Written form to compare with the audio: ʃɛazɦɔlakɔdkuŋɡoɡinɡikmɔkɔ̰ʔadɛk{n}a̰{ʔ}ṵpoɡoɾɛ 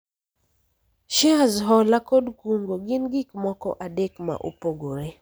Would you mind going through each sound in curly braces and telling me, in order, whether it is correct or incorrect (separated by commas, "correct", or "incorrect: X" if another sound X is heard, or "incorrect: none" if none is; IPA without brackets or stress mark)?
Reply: incorrect: m, correct